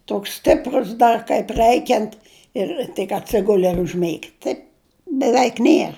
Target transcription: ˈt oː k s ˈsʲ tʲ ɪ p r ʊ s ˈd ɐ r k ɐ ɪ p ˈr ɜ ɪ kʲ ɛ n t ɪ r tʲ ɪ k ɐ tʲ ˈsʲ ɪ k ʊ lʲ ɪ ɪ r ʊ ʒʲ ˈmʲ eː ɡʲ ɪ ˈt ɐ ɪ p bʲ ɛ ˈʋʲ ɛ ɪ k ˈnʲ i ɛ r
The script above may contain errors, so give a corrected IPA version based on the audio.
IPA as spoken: ˈt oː k s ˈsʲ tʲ ɪ p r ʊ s ˈd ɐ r k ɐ ɪ p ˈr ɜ ɪ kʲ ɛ n t ɪ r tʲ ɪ k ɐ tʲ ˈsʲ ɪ ɡ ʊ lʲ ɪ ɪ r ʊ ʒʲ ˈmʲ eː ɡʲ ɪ ˈt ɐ ɪ p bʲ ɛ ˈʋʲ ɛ ɪ k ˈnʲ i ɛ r

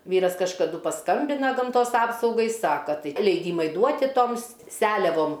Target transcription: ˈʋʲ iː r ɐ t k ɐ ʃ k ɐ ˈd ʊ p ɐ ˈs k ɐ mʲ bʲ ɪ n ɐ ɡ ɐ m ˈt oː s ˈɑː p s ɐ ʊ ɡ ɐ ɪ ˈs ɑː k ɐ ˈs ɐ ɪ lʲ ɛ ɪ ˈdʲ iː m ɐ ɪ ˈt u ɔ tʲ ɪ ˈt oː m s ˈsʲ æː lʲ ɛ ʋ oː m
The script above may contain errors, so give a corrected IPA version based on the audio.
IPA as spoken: ˈʋʲ iː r ɐ s k ɐ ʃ k ɐ ˈd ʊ p ɐ ˈs k ɐ mʲ bʲ ɪ n ɐ ɡ ɐ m ˈt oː s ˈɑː p s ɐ ʊ ɡ ɐ ɪ ˈs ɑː k ɐ ˈt ɐ ɪ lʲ ɛ ɪ ˈdʲ iː m ɐ ɪ ˈd u ɔ tʲ ɪ ˈt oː m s ˈsʲ æː lʲ ɛ ʋ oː m

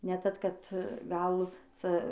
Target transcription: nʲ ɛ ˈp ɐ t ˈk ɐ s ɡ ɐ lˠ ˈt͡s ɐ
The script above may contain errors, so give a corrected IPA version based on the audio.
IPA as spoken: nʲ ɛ ˈt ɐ t ˈk ɐ t ɡ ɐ lˠ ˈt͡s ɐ

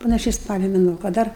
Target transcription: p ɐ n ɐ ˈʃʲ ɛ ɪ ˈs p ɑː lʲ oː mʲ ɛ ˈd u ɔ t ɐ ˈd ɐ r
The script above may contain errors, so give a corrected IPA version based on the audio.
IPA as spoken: p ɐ n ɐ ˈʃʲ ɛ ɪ ˈs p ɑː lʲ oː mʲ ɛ ˈn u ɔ k ɐ ˈd ɐ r

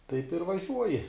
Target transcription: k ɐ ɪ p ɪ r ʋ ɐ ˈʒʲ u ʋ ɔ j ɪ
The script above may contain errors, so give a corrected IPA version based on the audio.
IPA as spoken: t ɐ ɪ p ɪ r ʋ ɐ ˈʒʲ u ɔ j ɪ

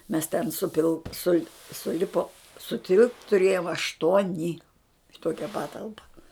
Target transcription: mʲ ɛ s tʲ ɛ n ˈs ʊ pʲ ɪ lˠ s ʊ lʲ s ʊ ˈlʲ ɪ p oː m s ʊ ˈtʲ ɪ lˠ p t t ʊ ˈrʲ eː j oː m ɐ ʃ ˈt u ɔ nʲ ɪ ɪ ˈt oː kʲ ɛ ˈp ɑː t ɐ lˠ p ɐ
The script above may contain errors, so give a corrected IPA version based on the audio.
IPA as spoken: mʲ ɛ s tʲ ɛ n ˈs ʊ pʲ ɪ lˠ s ʊ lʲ s ʊ ˈlʲ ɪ p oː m s ʊ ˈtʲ ɪ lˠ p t t ʊ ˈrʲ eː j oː m ɐ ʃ ˈt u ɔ nʲ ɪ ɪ ˈt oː kʲ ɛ ˈp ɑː t ɐ lˠ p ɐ

